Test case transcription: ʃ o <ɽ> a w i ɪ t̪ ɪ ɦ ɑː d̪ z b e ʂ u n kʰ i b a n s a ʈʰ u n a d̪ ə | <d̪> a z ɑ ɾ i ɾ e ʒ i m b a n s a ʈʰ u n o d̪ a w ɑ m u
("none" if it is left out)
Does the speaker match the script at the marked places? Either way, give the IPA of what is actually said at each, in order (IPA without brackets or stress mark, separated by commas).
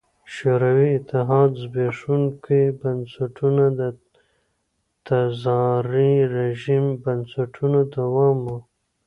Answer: ɾ, t̪